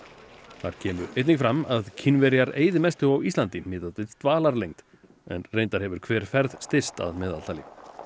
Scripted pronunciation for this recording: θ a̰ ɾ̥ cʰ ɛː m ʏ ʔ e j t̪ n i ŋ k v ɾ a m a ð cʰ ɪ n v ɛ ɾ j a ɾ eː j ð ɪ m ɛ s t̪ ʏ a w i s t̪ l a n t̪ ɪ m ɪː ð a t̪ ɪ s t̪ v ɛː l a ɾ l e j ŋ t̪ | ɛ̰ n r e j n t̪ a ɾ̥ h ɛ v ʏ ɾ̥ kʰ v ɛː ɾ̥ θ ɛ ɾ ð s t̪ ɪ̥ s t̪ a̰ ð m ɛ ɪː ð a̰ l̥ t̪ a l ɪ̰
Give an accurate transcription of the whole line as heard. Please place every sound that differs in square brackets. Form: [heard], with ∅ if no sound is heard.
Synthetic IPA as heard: θ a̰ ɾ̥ cʰ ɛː m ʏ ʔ e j t̪ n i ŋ k [f] ɾ a m a ð cʰ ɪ n v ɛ ɾ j a ɾ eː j ð ɪ m ɛ s t̪ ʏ a w i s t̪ l a n t̪ ɪ m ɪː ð a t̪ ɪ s t̪ v [aː] l a ɾ l e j ŋ t̪ | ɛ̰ n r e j n t̪ a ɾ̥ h ɛ v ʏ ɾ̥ kʰ v ɛː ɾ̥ [f] ɛ ɾ ð s t̪ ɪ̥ s t̪ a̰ ð m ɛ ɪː ð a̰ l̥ t̪ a l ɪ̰

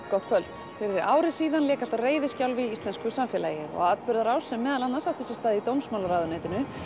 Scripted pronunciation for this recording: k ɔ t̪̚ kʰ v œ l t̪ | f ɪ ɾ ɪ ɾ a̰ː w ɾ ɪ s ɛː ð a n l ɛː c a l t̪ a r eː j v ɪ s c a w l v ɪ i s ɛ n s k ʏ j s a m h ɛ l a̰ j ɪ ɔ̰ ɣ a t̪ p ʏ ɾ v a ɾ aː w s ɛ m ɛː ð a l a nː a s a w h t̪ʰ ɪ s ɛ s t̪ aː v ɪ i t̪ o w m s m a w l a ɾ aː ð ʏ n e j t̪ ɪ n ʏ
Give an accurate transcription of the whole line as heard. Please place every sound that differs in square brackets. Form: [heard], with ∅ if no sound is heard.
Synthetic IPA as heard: k ɔ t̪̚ kʰ v œ l t̪ | f ɪ ɾ ɪ ɾ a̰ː w ɾ ɪ s [iː] ð a n l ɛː [k] a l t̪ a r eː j [ð] ɪ s c a w l v ɪ i s ɛ n s k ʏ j s a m [f] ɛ l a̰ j ɪ ɔ̰ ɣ a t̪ p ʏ ɾ [ð] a ɾ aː w s ɛ m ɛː ð a l a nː a s a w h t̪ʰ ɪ s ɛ s t̪ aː [ð] ɪ i t̪ o w m s m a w l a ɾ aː ð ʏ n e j t̪ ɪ n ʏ

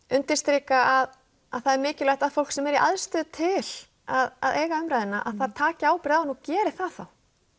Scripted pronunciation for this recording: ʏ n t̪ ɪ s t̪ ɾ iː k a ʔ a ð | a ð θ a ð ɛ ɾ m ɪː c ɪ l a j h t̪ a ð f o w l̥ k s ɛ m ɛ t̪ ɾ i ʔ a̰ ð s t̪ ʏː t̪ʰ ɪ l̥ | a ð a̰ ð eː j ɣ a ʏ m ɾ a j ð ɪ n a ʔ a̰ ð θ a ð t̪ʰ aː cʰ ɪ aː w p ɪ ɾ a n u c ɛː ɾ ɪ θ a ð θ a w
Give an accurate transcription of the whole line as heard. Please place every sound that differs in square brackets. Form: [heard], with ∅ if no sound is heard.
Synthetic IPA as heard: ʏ n t̪ ɪ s t̪ ɾ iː k a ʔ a ð | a ð θ a ð ɛ ɾ m ɪː c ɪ l a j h t̪ a ð f o w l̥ k s ɛ m ɛ [∅] ɾ i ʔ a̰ ð s t̪ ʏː t̪ʰ ɪ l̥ | a ð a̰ ð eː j ɣ a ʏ m ɾ a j ð ɪ n a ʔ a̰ ð θ a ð t̪ʰ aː [c] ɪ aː w p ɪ ɾ a n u c ɛː ɾ ɪ θ a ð θ a w

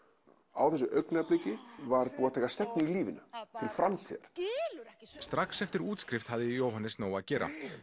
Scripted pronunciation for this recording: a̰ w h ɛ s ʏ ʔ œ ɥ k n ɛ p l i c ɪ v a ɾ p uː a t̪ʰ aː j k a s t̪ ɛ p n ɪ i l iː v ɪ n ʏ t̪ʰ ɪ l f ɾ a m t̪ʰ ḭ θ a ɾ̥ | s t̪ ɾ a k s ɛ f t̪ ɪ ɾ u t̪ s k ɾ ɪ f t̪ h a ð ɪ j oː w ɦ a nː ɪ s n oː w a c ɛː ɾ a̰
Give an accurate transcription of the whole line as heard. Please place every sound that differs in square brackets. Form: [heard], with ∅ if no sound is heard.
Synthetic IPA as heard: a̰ w [θ] ɛ s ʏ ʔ œ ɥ k n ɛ p l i c ɪ v a ɾ p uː a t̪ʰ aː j k a s t̪ ɛ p n ɪ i l iː v ɪ n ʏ t̪ʰ ɪ l f ɾ a m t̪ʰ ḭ [ð] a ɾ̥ | s t̪ ɾ a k s ɛ f t̪ ɪ ɾ [uː] t̪ s k ɾ ɪ f t̪ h a ð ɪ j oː w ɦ a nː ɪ s n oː w a c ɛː ɾ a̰

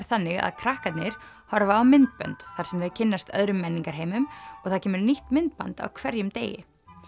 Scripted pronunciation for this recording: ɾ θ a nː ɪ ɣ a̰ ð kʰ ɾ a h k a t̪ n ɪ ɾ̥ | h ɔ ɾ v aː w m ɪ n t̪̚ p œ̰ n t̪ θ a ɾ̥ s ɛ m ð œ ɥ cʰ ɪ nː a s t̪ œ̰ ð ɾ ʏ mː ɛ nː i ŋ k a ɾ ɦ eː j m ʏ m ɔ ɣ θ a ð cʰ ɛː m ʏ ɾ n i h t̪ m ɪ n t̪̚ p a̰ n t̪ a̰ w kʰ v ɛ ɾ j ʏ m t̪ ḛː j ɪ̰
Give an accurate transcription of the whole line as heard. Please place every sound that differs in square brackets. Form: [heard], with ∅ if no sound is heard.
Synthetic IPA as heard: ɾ θ a nː ɪ ɣ a̰ ð kʰ ɾ a h k a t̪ n ɪ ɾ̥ | h ɔ ɾ v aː w m ɪ n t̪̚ p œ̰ n t̪ θ a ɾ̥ s ɛ m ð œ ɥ cʰ ɪ nː a s t̪ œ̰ ð ɾ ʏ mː ɛ nː i ŋ k a ɾ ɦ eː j m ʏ m ɔ ɣ θ a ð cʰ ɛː m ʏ ɾ n i h t̪ m ɪ n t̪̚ p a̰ n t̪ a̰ w kʰ v ɛ ɾ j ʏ m t̪ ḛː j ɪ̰

